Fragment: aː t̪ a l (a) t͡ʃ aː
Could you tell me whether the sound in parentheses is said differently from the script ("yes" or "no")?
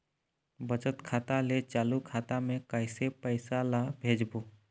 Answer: yes